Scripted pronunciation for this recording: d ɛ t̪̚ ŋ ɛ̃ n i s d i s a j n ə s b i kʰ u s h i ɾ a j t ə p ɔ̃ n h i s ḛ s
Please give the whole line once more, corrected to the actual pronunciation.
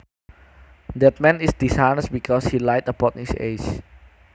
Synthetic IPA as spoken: d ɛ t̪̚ m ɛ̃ n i s d i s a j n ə s b i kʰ ɔ s h i l a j t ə p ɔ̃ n h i s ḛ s